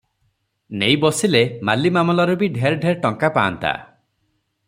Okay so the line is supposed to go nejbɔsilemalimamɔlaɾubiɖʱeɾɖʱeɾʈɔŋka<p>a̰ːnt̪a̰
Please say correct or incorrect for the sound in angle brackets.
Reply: correct